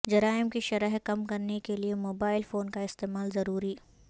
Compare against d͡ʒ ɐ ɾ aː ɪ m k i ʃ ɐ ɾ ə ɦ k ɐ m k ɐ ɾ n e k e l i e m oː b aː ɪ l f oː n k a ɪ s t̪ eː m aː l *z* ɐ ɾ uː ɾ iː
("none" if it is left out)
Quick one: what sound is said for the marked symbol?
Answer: z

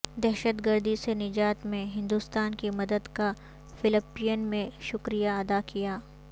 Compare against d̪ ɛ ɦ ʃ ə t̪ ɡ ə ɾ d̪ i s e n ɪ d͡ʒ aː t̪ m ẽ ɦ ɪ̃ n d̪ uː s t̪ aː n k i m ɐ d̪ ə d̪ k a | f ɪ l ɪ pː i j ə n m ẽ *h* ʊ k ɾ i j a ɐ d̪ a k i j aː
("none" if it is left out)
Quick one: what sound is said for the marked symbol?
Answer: ʃ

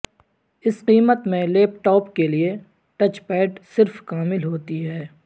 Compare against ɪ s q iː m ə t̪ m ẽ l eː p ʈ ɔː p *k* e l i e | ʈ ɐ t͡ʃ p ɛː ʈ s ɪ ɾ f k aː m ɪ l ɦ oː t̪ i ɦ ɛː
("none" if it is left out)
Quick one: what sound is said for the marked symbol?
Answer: k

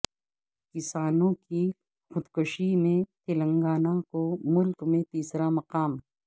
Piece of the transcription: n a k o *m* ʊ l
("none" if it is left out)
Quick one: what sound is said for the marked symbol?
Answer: m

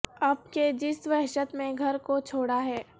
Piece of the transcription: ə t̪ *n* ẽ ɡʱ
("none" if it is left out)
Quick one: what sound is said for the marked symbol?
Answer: m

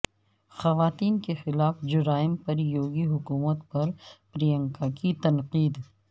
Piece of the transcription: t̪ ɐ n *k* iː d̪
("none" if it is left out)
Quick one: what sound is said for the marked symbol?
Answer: q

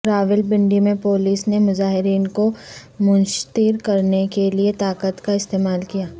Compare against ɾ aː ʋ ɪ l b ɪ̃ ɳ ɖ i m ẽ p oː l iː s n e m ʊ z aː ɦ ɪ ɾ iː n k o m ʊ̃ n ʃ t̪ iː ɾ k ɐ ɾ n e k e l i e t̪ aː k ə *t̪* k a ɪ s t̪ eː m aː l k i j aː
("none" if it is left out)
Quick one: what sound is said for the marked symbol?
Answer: t̪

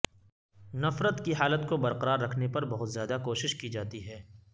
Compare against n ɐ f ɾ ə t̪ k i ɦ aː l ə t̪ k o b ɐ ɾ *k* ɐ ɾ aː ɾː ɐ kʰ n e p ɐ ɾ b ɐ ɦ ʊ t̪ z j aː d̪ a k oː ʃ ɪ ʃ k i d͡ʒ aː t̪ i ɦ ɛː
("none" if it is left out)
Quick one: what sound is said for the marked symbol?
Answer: q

